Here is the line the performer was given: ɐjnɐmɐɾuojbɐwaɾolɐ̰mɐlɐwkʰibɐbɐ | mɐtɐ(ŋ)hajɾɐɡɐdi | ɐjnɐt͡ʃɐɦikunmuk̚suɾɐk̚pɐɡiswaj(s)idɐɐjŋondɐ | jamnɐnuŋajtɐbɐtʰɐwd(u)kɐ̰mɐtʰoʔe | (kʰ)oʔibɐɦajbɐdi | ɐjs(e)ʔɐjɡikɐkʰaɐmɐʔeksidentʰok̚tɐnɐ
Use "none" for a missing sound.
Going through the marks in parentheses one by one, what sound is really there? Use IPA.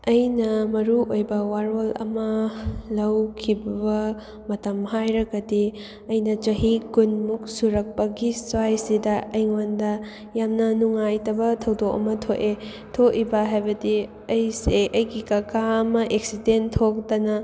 m, s, o, tʰ, e

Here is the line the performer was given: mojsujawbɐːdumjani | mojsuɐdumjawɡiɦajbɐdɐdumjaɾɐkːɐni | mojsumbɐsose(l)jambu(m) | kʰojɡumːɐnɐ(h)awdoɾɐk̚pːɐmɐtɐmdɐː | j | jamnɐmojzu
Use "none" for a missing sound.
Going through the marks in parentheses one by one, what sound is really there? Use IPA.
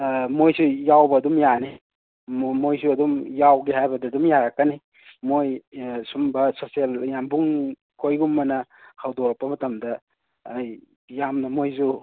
l, ŋ, h

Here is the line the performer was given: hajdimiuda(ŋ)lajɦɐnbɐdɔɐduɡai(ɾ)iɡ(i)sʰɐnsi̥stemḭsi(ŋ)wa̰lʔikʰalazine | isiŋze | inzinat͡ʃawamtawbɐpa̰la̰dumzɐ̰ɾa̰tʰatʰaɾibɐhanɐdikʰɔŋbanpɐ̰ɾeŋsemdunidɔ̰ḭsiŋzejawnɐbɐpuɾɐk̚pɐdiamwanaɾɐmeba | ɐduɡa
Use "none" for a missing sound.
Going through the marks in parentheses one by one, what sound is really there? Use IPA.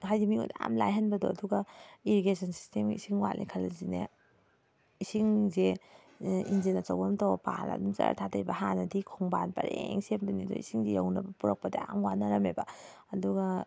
m, ɾ, e, ŋ

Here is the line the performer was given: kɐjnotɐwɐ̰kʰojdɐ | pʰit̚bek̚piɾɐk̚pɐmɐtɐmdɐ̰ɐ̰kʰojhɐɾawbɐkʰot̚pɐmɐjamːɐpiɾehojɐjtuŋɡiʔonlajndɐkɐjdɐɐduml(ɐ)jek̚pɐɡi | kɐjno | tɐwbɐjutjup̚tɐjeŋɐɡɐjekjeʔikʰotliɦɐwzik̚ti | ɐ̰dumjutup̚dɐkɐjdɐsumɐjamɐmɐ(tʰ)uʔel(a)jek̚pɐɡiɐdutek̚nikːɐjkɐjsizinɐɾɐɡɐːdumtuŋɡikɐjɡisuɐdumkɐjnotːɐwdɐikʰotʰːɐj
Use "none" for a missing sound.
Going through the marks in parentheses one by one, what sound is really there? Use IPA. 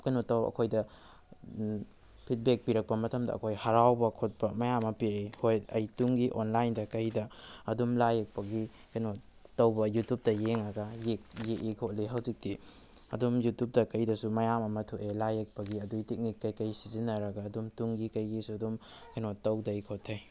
a, tʰ, a

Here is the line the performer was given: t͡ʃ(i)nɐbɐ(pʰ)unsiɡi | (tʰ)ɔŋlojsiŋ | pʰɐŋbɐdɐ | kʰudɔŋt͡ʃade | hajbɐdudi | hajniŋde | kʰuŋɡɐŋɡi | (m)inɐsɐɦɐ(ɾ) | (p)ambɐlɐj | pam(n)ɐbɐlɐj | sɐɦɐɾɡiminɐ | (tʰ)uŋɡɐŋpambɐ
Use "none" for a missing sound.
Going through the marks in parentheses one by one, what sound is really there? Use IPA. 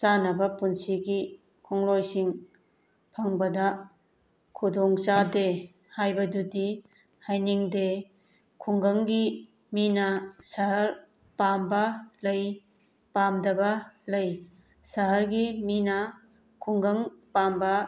a, p, kʰ, m, ɾ, p, d, kʰ

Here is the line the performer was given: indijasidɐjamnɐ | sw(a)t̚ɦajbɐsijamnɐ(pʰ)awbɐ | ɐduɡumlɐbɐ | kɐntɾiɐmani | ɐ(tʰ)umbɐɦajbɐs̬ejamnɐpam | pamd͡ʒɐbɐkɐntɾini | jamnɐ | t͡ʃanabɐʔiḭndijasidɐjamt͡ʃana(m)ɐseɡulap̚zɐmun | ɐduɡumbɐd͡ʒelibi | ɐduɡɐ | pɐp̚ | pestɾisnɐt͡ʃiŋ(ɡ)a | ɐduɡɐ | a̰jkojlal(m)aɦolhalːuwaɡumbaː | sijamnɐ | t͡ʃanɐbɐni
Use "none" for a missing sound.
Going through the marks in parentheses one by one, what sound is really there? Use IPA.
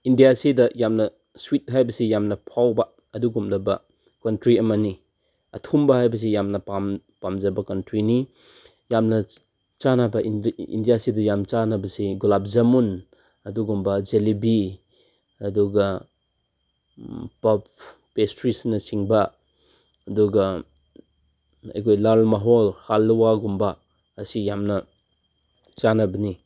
i, pʰ, tʰ, b, b, m

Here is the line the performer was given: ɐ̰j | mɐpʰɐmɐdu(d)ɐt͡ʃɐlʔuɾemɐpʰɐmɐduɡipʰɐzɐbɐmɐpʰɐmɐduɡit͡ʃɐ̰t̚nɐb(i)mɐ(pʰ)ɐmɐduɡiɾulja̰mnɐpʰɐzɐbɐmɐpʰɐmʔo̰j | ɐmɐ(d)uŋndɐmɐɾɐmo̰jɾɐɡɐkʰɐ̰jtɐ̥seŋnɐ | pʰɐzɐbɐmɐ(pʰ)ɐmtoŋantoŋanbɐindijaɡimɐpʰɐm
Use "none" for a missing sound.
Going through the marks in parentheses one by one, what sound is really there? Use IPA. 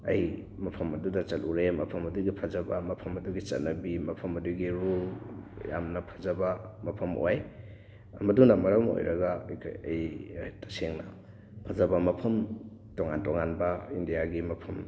d, i, pʰ, d, pʰ

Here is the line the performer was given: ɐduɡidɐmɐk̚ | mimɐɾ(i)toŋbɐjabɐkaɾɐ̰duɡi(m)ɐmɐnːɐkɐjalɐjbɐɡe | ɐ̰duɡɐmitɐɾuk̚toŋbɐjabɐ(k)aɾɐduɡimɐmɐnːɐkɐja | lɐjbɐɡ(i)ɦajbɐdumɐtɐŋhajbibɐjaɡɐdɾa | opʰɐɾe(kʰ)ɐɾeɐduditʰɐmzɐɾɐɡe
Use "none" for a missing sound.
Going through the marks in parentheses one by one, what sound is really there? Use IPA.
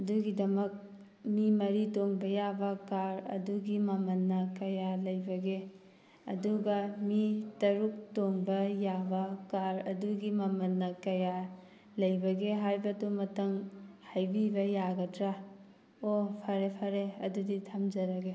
i, m, k, e, pʰ

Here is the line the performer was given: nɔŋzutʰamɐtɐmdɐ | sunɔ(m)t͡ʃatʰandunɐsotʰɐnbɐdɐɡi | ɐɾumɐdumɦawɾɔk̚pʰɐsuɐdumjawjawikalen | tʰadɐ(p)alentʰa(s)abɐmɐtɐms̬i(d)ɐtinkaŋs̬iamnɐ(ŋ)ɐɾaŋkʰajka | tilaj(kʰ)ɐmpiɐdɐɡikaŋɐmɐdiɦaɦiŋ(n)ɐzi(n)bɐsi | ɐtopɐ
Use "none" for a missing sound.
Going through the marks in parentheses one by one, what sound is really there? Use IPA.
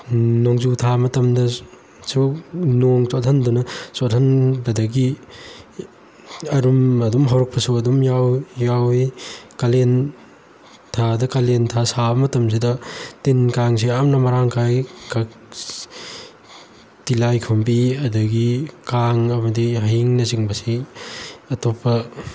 ŋ, k, s, d, m, kʰ, n, ŋ

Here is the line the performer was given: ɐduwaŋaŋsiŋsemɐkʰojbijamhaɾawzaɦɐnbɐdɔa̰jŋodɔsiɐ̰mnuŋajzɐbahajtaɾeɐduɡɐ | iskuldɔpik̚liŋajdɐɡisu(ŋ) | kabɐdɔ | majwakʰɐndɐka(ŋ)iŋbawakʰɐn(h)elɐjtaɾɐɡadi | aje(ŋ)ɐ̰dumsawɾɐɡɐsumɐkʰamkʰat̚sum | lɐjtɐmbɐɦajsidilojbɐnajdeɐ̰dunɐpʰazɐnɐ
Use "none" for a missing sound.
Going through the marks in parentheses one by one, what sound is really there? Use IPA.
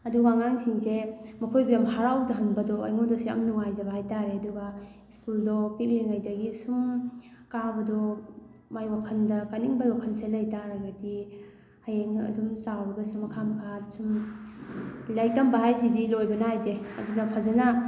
m, n, s, ŋ

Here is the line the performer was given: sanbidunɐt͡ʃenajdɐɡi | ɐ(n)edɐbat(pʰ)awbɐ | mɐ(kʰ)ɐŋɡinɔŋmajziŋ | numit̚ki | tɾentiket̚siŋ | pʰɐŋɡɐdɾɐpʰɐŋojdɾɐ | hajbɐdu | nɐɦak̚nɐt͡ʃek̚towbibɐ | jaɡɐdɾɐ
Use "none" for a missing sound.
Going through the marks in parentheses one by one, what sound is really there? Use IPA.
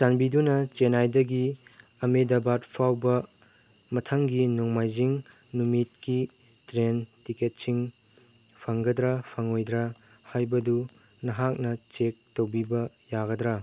m, pʰ, tʰ

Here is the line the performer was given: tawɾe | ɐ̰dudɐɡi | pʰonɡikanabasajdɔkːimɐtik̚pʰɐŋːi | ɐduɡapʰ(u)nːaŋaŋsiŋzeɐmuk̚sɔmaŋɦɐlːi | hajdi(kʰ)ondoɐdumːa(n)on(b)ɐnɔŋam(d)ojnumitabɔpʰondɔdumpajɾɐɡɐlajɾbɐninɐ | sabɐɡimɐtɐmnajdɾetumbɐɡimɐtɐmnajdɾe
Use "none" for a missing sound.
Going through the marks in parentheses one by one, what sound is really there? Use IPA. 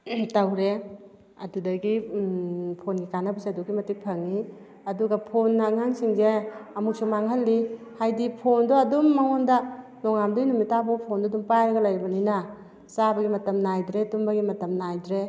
o, pʰ, ŋ, d, d

